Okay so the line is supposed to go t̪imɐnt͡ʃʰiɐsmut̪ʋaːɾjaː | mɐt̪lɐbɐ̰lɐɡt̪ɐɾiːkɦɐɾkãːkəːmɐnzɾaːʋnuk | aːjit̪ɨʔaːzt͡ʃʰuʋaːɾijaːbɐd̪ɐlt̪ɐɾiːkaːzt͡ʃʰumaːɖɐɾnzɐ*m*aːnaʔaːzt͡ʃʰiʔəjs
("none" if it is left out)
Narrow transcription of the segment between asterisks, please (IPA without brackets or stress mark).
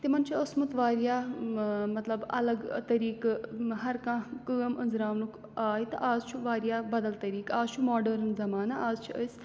m